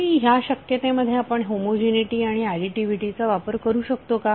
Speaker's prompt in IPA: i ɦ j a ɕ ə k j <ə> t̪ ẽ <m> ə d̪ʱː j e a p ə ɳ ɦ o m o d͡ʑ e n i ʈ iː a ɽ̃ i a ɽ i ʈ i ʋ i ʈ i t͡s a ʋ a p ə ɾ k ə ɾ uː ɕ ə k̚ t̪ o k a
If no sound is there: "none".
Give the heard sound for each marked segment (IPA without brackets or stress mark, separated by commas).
ə, m